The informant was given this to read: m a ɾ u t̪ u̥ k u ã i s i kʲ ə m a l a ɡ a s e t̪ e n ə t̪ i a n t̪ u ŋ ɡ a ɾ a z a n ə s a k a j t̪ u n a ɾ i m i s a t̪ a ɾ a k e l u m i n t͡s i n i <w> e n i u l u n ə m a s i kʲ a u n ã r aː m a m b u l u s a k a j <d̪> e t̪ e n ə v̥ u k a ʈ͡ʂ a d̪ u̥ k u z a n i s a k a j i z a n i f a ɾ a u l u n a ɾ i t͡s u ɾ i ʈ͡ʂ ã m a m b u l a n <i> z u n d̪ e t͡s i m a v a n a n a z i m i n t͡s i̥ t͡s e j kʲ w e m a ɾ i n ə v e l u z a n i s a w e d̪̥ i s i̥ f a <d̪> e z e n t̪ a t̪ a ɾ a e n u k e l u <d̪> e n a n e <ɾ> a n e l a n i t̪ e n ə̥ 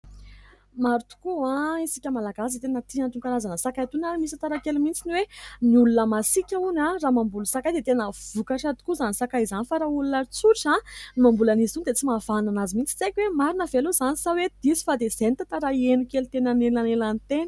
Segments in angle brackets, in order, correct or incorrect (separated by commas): correct, correct, correct, correct, incorrect, incorrect